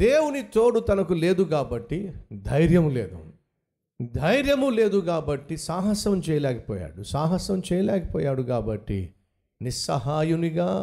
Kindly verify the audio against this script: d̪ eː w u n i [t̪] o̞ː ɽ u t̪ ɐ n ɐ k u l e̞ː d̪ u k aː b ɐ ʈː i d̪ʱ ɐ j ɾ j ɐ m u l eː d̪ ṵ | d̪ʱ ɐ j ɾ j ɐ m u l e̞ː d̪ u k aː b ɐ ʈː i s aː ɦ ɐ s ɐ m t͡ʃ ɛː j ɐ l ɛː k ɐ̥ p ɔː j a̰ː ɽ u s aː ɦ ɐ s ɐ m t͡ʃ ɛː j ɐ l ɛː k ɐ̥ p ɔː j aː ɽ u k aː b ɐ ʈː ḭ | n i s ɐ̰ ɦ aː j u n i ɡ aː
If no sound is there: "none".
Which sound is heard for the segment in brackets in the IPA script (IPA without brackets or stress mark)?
t̪